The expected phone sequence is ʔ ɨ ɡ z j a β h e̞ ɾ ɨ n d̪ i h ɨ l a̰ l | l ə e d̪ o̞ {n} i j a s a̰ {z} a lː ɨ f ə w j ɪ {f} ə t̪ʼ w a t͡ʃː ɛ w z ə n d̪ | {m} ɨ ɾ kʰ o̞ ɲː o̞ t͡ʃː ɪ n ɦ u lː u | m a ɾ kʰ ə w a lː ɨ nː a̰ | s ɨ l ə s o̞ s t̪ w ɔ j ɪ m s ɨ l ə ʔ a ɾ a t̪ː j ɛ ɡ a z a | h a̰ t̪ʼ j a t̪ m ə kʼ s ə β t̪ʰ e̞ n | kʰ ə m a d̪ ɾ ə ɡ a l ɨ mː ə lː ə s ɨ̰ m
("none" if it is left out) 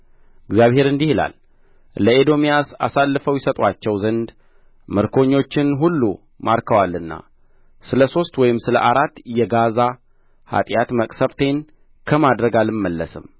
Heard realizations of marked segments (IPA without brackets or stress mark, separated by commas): m, s, s, m